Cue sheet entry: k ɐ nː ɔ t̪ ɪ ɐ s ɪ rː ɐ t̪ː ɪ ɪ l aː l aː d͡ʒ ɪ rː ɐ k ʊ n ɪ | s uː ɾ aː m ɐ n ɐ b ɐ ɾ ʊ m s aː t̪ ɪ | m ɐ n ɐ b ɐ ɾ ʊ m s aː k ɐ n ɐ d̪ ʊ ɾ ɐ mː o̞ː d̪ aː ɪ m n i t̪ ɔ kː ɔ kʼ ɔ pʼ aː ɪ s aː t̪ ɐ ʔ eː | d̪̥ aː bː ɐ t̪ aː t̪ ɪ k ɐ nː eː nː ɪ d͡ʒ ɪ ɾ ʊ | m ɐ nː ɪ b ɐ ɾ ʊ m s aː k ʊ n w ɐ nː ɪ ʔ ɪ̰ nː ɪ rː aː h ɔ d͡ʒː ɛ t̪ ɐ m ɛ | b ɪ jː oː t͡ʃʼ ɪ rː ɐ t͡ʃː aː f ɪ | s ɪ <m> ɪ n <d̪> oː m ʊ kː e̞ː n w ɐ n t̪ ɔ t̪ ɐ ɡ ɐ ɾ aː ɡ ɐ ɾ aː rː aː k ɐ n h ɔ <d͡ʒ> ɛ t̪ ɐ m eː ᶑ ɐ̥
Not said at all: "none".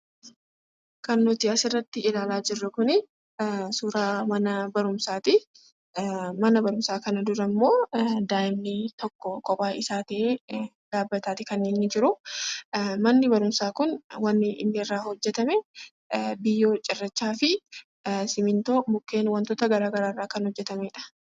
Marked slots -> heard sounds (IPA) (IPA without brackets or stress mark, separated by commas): m, t̪, d͡ʒː